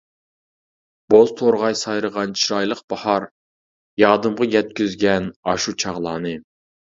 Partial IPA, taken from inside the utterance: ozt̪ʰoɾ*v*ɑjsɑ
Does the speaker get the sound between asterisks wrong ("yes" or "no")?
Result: yes